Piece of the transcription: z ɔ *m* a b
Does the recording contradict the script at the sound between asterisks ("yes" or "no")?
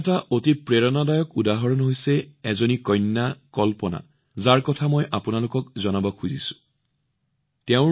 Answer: yes